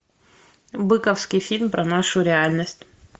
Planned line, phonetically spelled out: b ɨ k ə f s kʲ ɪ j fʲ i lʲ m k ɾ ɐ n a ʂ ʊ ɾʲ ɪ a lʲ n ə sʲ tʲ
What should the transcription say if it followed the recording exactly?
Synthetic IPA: b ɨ k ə f s kʲ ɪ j fʲ i lʲ m p ɾ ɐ n a ʂ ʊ ɾʲ ɪ a lʲ n ə sʲ tʲ